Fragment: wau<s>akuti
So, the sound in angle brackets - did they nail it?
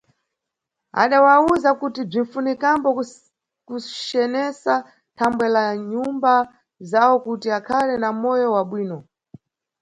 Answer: no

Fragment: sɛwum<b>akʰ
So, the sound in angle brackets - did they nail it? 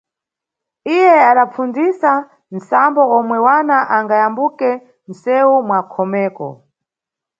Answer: no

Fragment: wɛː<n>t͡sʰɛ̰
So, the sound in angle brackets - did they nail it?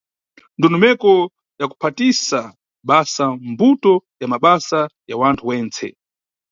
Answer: yes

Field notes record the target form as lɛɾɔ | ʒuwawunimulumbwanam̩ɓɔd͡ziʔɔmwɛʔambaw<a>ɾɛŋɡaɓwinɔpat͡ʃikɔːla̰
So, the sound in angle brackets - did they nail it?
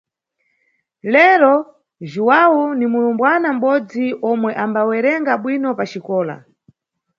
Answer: no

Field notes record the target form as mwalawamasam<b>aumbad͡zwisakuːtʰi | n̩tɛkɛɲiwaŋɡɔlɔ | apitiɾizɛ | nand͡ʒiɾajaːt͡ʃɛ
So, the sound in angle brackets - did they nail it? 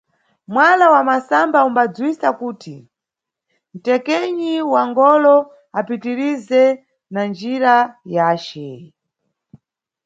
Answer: yes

